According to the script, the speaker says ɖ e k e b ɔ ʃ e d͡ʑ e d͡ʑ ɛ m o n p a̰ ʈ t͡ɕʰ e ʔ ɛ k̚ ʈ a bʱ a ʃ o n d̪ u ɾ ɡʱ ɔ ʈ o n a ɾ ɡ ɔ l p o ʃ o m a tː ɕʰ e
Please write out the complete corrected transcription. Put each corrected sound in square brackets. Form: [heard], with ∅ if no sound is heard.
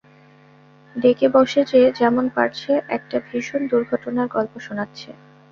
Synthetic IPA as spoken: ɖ e k e b ɔ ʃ e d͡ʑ e d͡ʑ ɛ m o n p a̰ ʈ t͡ɕʰ e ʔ ɛ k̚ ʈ a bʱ [i] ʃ o n d̪ u ɾ ɡʱ ɔ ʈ o n a ɾ ɡ ɔ l p o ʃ o [n] a tː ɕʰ e